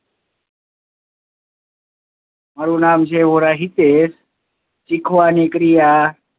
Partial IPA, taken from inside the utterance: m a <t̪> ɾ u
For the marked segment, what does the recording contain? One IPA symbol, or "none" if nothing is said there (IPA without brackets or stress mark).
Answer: none